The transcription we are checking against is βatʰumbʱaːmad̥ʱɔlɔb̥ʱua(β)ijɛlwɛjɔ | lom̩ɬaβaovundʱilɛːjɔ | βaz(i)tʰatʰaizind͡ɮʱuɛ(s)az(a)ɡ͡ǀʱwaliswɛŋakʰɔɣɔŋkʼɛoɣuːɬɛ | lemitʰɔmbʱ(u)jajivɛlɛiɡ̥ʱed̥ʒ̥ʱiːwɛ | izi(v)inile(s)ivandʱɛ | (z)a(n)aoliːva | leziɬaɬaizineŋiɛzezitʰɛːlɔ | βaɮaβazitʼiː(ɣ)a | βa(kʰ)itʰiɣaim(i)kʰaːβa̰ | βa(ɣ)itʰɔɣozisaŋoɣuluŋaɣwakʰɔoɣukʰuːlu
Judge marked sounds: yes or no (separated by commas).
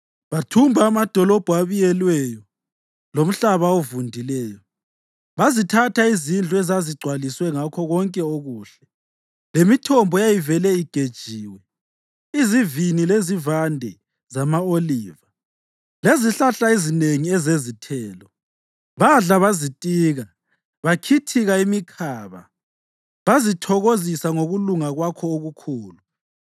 yes, yes, no, no, no, yes, no, yes, no, yes, yes, yes, no